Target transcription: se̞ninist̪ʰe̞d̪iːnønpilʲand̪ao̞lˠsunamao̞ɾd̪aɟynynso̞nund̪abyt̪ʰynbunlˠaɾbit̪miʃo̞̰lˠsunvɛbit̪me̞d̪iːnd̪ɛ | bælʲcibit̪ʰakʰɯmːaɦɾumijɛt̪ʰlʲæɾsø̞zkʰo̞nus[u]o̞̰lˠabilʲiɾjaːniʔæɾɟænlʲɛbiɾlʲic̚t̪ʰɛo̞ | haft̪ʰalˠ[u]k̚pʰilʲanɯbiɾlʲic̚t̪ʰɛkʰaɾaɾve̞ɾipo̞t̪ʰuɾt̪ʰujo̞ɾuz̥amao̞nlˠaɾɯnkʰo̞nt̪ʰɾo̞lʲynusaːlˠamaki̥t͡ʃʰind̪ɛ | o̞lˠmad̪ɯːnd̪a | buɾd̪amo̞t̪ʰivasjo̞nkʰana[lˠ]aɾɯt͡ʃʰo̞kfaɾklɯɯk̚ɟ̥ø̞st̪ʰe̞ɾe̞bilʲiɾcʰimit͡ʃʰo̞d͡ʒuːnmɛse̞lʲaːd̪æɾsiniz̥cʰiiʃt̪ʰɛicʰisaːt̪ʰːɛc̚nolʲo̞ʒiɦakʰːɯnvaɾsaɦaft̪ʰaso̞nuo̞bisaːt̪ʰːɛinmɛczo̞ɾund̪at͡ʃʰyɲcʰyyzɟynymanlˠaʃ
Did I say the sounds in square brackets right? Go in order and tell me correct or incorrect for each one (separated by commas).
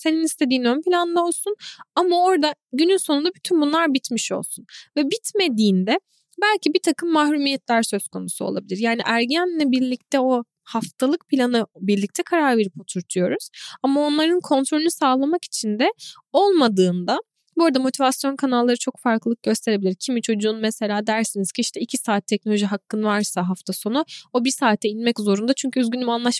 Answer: correct, incorrect, incorrect